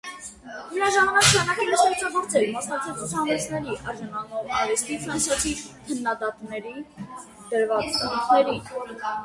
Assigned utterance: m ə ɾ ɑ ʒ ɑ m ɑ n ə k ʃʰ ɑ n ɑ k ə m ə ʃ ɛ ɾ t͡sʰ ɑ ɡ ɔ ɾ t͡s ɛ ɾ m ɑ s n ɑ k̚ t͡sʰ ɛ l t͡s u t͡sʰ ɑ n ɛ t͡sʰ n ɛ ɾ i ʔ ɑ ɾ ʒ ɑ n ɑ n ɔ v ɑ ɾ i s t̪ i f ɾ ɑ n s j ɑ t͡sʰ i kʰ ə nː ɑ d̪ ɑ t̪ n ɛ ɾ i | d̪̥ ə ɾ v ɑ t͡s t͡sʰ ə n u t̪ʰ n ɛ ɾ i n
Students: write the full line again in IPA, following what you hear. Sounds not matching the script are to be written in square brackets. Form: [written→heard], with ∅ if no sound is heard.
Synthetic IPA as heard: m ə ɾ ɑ ʒ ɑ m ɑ n [ə→ɑ] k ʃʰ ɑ n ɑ k ə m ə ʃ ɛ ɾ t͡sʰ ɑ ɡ ɔ ɾ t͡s ɛ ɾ m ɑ s n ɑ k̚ t͡sʰ ɛ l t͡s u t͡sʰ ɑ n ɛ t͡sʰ n ɛ ɾ i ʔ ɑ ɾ ʒ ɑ n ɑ n ɔ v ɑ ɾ i s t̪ i f ɾ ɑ n s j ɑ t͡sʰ i kʰ ə nː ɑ d̪ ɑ t̪ n ɛ ɾ i | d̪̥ ə ɾ v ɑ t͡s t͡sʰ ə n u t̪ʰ n ɛ ɾ i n